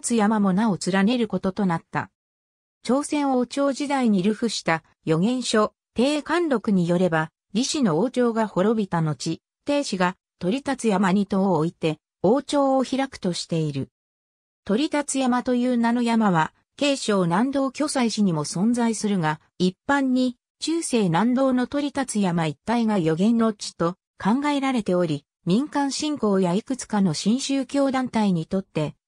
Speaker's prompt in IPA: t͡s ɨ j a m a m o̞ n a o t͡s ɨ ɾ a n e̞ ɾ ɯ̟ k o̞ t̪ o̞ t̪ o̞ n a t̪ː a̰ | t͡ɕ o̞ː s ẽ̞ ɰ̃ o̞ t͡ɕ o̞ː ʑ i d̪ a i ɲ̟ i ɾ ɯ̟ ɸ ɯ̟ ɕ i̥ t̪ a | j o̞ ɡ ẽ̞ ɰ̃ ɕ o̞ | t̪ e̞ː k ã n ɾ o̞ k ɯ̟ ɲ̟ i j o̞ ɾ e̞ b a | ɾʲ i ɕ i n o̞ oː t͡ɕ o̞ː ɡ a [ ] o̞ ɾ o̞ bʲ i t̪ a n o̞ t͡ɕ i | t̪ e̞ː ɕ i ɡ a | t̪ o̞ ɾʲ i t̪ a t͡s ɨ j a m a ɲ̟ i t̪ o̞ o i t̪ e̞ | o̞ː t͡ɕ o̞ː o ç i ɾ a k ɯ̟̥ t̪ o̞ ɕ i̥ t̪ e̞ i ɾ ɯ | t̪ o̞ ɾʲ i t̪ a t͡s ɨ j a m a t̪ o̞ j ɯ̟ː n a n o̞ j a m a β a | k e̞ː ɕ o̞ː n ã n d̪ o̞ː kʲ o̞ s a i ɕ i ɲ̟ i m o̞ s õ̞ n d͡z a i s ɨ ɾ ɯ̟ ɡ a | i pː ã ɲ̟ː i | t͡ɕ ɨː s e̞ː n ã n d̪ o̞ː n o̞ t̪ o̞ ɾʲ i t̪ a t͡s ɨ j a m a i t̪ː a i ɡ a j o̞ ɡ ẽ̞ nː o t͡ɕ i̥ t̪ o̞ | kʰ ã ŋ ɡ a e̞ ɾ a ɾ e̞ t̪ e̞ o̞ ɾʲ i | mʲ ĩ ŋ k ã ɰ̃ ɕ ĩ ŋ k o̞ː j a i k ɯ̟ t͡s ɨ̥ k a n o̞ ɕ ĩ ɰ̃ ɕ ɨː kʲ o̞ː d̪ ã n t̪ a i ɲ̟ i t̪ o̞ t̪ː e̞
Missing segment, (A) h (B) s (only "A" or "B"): A